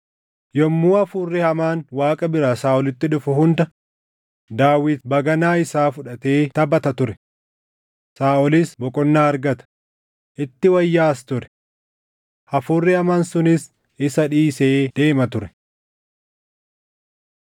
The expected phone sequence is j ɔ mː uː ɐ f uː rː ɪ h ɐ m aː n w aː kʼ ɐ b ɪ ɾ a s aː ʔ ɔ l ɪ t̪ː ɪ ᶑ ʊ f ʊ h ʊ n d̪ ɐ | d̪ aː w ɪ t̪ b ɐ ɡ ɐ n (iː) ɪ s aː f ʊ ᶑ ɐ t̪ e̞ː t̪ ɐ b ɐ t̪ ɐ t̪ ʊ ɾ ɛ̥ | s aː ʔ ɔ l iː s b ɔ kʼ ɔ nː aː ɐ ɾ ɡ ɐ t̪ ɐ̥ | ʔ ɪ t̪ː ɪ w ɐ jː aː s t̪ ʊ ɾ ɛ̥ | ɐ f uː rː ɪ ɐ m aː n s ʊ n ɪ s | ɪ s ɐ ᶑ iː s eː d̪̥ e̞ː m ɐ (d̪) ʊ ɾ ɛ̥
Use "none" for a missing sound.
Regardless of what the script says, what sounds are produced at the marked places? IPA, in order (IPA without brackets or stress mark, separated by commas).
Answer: aː, t̪